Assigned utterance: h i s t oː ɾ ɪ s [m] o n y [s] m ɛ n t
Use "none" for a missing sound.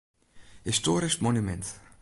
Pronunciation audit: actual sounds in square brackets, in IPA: m, none

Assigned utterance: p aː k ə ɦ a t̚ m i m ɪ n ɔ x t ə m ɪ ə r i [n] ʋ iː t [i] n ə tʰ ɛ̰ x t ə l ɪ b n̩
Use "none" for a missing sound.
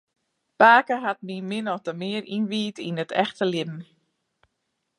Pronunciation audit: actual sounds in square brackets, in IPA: n, i

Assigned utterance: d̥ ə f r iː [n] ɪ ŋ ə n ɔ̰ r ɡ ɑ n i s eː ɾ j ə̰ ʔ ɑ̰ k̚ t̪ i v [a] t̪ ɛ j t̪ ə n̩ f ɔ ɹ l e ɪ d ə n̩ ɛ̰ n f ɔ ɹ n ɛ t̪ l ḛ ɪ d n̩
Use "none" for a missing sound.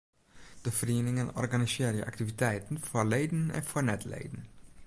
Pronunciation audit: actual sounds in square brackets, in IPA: n, i

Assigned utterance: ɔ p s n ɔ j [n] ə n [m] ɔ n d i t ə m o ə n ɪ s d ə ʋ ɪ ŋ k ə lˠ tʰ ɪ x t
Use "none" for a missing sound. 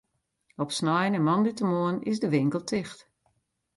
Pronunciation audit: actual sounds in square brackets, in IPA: n, m

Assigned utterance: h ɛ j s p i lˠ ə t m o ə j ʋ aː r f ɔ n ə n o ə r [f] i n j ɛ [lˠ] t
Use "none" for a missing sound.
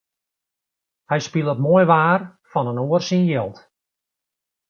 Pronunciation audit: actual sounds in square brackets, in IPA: s, lˠ

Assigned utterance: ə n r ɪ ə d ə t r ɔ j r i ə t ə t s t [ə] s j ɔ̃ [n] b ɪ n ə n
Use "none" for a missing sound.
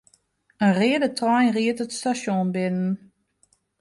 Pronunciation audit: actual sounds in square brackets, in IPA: a, n

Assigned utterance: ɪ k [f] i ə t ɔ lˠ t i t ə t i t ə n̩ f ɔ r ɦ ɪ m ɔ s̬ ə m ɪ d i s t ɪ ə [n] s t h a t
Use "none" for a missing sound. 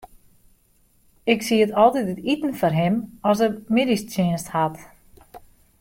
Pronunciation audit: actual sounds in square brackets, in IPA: s, n

